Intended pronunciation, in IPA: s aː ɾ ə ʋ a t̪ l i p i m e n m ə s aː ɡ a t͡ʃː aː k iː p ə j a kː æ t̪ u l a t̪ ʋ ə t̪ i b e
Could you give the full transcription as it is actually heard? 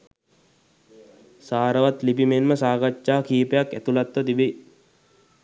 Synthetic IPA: s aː ɾ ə ʋ a t̪ l i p i m e n m ə s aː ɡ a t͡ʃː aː k iː p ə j a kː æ t̪ u l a t̪ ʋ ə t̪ i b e